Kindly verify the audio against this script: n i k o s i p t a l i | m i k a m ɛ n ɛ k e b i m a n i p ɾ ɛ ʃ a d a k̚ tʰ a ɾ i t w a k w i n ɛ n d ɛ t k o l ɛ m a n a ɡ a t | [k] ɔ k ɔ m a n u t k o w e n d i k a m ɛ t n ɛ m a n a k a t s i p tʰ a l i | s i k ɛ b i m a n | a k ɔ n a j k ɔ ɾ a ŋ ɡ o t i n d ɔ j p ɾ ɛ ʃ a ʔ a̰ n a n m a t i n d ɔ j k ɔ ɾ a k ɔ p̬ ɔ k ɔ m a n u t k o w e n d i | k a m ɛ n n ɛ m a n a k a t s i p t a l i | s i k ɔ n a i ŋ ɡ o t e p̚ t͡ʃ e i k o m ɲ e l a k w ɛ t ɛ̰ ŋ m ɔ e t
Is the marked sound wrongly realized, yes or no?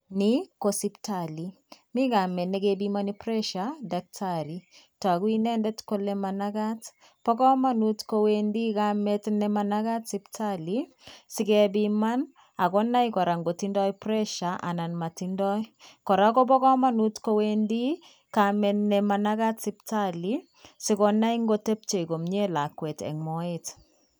yes